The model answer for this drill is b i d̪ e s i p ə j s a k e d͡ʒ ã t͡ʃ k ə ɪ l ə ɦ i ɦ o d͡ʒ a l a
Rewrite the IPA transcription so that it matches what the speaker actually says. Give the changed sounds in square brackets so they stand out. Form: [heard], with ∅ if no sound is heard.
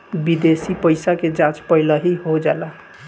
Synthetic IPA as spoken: b i d̪ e s i p ə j s a k e d͡ʒ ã t͡ʃ [p] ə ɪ l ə ɦ i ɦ o d͡ʒ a l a